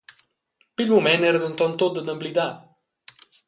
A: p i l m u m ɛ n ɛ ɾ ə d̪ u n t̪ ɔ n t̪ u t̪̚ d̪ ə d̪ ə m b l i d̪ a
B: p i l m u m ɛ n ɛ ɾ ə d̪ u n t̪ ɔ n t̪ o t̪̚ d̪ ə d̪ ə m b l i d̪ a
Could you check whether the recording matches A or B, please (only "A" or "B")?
B